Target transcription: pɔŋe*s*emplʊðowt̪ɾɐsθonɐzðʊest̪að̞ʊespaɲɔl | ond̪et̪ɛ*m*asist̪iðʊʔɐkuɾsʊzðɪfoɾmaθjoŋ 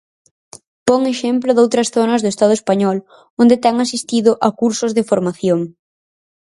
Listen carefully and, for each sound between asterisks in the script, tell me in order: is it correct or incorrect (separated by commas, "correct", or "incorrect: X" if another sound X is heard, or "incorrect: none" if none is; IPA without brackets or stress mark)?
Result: incorrect: ʃ, incorrect: ŋ